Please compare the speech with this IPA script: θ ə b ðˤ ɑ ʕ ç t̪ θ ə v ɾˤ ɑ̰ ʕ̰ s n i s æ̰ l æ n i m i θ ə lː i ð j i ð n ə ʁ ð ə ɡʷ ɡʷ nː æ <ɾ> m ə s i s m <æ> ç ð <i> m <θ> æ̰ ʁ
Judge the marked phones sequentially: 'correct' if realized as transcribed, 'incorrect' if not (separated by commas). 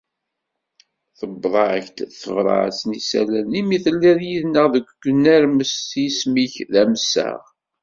correct, incorrect, incorrect, incorrect